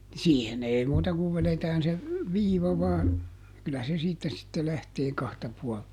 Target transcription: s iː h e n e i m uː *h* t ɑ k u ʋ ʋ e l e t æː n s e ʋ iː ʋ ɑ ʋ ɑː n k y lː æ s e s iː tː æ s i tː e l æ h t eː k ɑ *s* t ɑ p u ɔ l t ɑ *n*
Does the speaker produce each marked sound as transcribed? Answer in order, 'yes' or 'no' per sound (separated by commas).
no, no, no